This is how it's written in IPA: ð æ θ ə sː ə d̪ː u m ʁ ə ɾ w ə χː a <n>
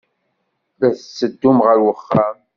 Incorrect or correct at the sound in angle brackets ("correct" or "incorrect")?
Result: incorrect